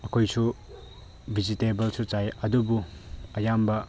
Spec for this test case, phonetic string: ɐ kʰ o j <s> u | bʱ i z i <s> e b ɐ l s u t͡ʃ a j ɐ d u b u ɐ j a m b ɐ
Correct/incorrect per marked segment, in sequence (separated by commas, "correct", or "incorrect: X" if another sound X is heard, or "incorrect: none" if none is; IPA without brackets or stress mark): correct, incorrect: t